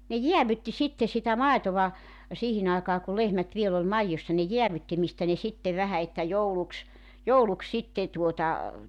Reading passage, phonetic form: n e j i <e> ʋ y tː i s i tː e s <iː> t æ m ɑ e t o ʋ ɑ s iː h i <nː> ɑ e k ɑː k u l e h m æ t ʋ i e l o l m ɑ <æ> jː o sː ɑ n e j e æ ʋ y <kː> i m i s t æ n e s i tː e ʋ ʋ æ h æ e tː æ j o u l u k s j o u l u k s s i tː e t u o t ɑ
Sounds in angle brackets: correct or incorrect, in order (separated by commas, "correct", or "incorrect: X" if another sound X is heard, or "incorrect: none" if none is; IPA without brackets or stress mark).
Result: incorrect: æ, incorrect: i, incorrect: n, incorrect: i, incorrect: tː